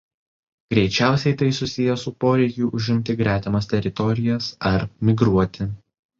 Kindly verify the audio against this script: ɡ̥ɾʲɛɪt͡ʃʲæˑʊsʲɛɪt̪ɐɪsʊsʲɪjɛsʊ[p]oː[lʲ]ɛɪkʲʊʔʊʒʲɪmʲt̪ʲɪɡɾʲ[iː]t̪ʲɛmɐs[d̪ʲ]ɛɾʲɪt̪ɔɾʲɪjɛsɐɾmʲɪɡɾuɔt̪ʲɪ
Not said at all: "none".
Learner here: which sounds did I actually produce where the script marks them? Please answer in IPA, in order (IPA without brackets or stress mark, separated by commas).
p, ɾʲ, æː, t̪ʲ